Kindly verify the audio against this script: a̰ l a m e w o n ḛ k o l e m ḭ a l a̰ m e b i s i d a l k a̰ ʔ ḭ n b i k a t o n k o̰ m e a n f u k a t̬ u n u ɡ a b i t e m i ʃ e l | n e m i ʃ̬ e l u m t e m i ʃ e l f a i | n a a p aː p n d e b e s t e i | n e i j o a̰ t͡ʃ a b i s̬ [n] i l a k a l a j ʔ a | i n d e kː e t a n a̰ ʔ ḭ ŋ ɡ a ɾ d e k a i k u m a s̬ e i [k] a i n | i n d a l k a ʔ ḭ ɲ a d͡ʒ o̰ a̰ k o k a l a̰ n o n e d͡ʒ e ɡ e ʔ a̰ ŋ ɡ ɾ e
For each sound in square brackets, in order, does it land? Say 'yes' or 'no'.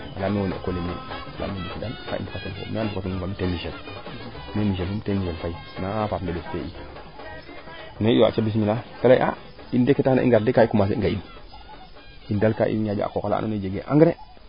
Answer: no, no

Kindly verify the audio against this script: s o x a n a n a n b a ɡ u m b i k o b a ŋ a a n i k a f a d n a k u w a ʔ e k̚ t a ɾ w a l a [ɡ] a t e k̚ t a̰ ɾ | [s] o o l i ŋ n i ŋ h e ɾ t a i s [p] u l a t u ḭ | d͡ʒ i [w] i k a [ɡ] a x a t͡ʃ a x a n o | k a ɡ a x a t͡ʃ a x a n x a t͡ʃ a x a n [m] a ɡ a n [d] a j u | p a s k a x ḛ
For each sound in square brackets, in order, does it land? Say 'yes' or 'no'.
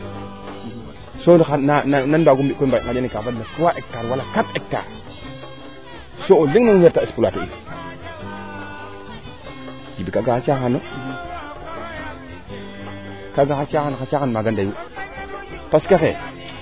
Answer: no, yes, yes, no, yes, yes, yes

